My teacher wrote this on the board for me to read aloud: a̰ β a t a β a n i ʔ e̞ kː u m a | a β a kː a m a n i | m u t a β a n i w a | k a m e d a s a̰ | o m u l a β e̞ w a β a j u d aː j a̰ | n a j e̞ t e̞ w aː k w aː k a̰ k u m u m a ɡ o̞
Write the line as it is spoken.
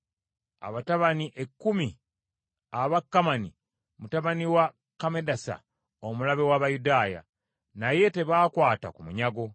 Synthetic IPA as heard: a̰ β a t a β a n i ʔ e̞ kː u m i | a β a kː a m a n i | m u t a β a n i w a | k a m e d a s a̰ | o m u l a β e̞ w a β a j u d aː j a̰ | n a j e̞ t e̞ β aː k w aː t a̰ k u m u ɲ a ɡ o̞